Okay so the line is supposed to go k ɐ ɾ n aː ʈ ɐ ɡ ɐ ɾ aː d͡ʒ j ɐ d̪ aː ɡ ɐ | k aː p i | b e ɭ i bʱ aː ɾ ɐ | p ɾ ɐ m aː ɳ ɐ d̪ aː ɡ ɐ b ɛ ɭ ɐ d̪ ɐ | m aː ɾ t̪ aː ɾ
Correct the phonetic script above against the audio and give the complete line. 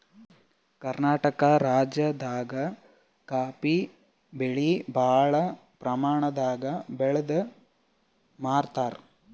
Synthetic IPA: k ɐ ɾ n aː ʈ ɐ k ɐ ɾ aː d͡ʒ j ɐ d̪ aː ɡ ɐ | k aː p i | b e ɭ i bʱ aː ɭ ɐ | p ɾ ɐ m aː ɳ ɐ d̪ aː ɡ ɐ b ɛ ɭ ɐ d̪ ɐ | m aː ɾ t̪ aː ɾ